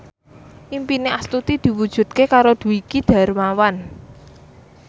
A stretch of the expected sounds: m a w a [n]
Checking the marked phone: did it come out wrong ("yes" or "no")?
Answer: no